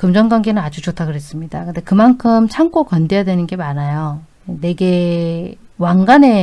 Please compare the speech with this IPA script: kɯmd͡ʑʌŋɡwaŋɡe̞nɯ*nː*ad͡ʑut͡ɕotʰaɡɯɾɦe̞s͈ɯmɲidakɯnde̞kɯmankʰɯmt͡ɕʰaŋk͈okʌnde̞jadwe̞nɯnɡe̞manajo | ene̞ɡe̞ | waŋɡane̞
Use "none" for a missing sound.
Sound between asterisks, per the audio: n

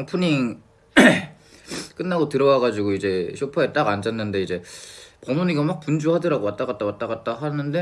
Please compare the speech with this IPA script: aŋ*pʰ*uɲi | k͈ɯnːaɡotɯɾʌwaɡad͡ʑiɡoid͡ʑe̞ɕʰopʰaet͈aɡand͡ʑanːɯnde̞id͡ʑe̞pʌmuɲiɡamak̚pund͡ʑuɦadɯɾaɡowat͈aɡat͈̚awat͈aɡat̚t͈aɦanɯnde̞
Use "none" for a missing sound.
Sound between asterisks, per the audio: pʰ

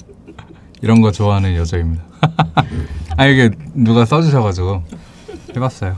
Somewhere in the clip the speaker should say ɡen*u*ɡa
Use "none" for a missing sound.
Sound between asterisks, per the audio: u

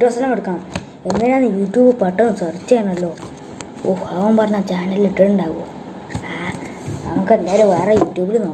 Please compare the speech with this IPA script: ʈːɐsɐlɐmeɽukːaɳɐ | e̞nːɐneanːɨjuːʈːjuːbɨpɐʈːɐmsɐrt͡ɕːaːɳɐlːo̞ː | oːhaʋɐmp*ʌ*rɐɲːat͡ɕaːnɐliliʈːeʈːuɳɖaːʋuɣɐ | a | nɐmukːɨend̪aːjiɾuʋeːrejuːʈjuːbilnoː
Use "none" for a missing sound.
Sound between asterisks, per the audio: ɐ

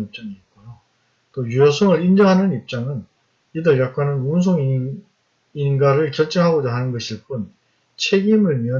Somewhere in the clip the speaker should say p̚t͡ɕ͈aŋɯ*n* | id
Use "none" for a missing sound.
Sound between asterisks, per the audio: n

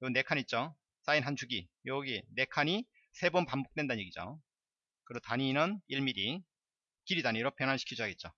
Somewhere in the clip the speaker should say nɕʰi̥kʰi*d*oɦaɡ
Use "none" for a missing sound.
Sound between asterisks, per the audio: d͡ʑ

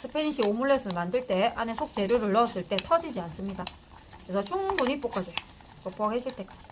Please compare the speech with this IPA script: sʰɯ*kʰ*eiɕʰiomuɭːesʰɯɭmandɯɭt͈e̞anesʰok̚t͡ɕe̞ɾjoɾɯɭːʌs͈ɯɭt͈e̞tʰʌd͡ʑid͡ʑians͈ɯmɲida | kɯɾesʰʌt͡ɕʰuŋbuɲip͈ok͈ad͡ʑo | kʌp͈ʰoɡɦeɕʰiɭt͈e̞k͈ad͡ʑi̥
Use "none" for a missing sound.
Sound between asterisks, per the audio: pʰ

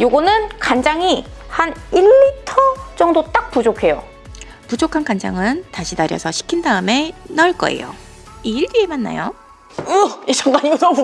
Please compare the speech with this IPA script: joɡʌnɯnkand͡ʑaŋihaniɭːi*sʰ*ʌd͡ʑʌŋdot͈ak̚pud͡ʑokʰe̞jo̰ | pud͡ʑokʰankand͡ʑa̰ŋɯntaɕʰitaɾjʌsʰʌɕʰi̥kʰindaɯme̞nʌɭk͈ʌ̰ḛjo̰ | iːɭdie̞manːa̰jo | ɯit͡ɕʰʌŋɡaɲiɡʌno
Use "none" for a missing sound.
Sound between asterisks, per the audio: tʰ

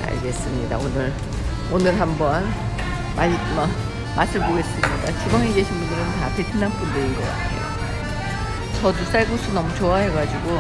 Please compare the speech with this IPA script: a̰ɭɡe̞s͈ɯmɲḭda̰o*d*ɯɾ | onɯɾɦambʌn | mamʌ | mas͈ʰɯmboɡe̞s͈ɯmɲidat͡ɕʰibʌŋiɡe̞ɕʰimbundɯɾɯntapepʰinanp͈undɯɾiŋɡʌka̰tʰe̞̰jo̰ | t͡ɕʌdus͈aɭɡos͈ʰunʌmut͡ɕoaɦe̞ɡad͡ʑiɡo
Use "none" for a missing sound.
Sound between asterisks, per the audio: n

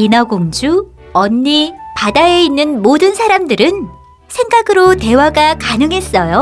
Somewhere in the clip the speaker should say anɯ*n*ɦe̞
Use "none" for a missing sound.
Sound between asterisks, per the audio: ŋ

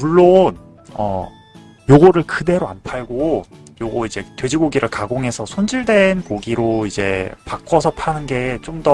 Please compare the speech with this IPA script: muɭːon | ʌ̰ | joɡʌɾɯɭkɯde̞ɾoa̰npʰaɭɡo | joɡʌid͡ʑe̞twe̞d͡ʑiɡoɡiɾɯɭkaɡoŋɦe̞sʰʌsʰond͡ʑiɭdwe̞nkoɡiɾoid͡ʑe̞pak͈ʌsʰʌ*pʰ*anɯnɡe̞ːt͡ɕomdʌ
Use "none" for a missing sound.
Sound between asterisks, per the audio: pʰ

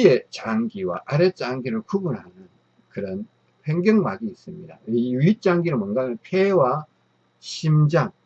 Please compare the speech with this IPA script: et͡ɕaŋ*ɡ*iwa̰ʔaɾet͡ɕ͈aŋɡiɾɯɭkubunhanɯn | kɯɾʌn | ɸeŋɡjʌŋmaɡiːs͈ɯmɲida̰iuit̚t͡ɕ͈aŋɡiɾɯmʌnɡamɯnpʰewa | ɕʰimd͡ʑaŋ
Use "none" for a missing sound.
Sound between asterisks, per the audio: ɡ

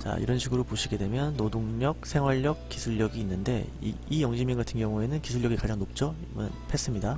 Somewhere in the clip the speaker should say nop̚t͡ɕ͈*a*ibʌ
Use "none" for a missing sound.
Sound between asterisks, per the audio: ʌ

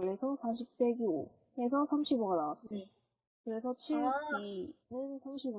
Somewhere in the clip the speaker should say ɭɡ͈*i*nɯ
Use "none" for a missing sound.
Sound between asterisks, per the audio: i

